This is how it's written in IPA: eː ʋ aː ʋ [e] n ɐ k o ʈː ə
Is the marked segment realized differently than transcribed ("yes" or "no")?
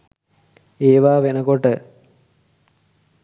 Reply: no